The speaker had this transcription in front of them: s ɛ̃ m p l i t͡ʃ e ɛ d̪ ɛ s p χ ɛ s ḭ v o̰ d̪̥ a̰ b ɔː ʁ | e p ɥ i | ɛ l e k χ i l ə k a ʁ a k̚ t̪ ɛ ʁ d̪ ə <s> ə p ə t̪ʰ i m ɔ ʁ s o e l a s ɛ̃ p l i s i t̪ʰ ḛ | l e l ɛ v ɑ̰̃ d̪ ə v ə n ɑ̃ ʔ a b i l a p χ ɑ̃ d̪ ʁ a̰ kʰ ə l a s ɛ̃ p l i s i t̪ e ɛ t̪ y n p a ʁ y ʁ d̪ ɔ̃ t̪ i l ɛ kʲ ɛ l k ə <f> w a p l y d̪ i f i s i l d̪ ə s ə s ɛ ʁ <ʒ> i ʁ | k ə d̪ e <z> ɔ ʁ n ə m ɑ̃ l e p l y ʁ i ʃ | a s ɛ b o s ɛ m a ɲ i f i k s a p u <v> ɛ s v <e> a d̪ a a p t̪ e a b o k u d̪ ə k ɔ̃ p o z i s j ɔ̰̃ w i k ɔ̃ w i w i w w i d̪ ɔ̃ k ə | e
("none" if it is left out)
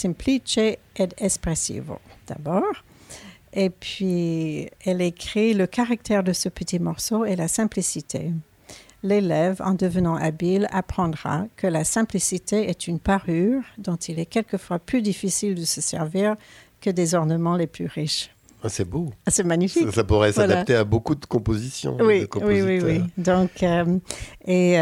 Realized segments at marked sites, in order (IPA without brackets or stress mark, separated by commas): s, f, v, z, ʁ, a